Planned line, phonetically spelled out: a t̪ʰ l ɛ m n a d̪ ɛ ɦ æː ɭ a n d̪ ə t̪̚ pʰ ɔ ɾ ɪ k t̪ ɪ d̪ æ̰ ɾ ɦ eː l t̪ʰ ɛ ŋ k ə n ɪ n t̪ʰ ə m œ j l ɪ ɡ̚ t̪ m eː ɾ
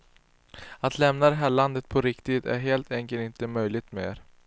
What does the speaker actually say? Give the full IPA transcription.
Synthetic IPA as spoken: a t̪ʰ l ɛ m n a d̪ ɛ ɦ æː ɭ a n d̪ ə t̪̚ pʰ ɔ ɾ ɪ k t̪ ɪ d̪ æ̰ ɾ ɦ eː l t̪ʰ ɛ ŋ k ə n ɪ n t̪ ə m œ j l ɪ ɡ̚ t̪ m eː ɾ